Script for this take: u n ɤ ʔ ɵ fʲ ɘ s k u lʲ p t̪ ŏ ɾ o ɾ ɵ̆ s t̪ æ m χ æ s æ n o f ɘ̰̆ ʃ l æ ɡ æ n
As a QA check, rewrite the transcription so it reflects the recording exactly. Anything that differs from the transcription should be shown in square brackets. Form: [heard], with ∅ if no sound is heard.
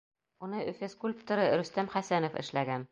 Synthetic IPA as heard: u n ɤ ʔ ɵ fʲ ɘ s k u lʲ p t̪ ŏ ɾ [ɤ] ɾ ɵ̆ s t̪ æ m χ æ s æ n o f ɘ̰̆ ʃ l æ ɡ æ n